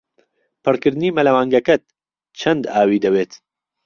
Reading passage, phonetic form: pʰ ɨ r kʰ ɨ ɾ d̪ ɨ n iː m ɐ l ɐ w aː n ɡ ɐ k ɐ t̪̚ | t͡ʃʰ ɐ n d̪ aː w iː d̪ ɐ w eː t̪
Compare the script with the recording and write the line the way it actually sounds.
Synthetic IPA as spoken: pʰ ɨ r k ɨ ɾ d̪ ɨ n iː m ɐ l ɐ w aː ŋ ɡ ɐ k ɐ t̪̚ | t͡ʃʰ ɐ n d̪ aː w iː d̪ ɐ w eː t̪

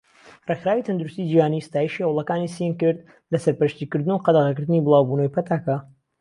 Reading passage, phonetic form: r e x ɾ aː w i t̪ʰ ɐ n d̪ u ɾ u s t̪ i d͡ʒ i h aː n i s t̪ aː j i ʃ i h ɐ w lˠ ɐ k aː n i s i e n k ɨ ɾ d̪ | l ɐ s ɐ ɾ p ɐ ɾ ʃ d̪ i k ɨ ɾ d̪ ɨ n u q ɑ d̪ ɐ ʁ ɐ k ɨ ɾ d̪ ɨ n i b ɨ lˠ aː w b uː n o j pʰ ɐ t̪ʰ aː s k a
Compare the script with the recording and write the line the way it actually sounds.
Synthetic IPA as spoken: r e x ɾ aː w i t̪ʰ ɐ n d̪ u ɾ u s t̪ i d͡ʒ i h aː n i s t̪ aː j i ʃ i h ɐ w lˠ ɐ k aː n i s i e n k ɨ ɾ d̪ | l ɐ s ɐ ɾ p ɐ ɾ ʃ t̪ i k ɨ ɾ d̪ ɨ n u q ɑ d̪ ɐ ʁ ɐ k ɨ ɾ d̪ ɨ n i b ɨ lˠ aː w b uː n o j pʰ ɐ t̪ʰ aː k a

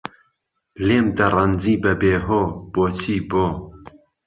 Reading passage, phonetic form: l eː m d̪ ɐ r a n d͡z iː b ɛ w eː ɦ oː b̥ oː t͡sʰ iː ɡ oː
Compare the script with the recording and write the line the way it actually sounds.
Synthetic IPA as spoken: l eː m d̪ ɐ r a n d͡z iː b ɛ b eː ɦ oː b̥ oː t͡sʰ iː b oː

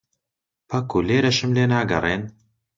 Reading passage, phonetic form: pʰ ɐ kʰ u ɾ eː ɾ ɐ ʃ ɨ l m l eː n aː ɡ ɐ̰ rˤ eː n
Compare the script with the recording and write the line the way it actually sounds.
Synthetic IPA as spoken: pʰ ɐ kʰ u l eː ɾ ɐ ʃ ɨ m l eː n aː ɡ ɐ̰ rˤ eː n

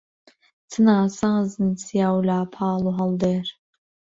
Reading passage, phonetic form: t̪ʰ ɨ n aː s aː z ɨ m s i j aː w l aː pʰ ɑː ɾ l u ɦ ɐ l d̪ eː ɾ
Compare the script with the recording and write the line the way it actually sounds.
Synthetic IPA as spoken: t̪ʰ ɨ n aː s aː z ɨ n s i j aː w l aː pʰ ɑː l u ɦ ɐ l d̪ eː ɾ

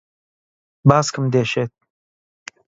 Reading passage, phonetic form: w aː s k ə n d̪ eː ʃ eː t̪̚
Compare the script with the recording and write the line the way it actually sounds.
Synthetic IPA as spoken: b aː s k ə m d̪ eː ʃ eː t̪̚

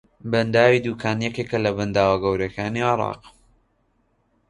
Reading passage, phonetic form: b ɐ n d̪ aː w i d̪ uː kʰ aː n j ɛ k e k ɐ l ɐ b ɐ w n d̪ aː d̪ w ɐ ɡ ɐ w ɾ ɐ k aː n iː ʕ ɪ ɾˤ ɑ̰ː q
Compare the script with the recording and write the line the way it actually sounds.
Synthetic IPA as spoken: b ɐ n d̪ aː w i d̪ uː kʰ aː n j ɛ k e k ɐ l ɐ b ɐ n d̪ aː w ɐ ɡ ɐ w ɾ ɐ k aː n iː ʕ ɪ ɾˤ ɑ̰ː q

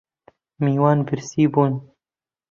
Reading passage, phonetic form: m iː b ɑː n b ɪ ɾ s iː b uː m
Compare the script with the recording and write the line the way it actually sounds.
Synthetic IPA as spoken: m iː w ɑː n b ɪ ɾ s iː b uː n

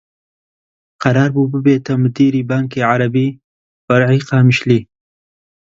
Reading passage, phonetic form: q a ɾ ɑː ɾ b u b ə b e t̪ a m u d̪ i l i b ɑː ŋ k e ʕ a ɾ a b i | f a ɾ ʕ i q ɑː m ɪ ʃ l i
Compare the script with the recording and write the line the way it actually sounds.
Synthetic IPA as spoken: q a ɾ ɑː ɾ b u b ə b e t̪ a m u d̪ i ɾ i b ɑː ŋ k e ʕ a ɾ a b i | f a ɾ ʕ i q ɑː m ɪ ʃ l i

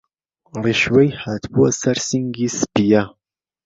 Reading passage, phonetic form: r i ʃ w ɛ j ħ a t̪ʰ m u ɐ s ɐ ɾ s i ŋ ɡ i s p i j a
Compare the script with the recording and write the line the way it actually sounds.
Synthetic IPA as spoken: r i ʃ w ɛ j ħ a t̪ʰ b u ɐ s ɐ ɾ s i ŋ ɡ i s p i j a

